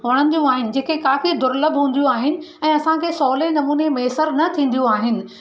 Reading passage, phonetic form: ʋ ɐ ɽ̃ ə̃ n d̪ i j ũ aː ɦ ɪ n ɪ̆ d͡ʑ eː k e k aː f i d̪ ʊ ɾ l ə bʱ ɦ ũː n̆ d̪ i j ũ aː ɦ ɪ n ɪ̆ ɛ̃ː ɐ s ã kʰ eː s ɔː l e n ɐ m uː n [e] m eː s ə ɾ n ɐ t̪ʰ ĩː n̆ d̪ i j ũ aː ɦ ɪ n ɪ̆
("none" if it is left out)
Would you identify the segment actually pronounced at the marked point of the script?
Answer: e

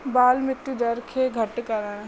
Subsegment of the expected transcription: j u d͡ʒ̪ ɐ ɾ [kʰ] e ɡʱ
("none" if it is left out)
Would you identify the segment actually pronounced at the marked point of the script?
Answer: kʰ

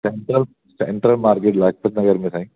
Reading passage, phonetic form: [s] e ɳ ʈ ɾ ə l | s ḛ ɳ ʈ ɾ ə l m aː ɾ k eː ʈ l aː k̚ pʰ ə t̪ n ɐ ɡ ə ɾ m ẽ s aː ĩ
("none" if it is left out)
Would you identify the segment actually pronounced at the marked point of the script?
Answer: s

